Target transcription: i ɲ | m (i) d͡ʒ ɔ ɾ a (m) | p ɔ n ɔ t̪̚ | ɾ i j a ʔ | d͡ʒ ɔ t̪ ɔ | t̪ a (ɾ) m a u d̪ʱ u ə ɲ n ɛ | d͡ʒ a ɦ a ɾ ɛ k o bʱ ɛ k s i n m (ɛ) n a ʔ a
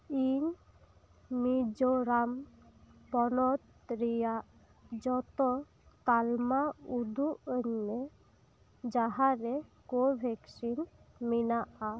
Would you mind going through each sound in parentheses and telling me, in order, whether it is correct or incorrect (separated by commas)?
correct, correct, incorrect, incorrect